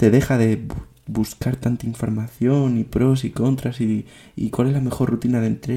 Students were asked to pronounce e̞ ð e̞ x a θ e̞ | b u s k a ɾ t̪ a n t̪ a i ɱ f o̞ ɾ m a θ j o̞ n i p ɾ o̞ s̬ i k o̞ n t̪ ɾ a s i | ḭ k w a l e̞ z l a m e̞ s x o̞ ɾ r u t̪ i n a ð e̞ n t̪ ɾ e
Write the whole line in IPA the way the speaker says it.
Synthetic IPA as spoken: e̞ ð e̞ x a ð e̞ | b u s k a ɾ t̪ a n t̪ a i ɱ f o̞ ɾ m a θ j o̞ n i p ɾ o̞ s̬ i k o̞ n t̪ ɾ a s i | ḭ k w a l e̞ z l a m e̞ x o̞ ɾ r u t̪ i n a ð e̞ n t̪ ɾ e